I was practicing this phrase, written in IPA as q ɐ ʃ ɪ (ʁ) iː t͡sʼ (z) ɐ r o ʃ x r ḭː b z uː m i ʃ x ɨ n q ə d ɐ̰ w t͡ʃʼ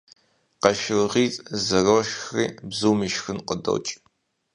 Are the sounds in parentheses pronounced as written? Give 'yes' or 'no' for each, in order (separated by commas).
yes, yes